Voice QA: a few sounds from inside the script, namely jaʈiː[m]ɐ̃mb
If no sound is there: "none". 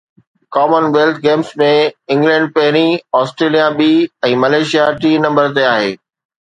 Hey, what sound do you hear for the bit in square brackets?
n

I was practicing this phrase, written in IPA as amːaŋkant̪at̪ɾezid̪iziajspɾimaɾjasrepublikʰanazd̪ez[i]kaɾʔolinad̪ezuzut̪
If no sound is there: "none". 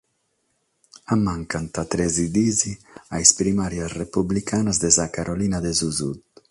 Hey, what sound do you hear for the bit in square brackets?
a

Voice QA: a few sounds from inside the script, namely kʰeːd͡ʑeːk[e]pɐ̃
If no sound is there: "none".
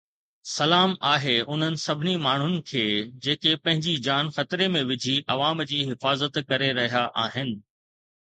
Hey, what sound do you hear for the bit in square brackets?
e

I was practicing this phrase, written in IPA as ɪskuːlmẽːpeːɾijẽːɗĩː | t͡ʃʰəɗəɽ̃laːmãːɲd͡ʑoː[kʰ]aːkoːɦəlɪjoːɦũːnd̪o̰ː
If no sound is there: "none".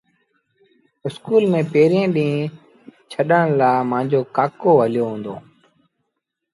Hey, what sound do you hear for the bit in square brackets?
k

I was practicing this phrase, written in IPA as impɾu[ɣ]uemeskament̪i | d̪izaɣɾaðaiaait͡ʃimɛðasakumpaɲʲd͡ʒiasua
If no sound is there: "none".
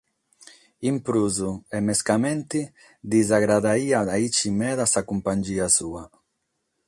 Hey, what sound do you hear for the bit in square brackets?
z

